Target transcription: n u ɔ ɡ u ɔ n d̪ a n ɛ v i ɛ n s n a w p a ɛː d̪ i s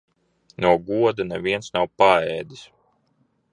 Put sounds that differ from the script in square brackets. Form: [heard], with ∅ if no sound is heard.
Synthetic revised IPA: n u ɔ ɡ u ɔ [∅] d̪ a n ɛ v i ɛ n s n a w p a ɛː d̪ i s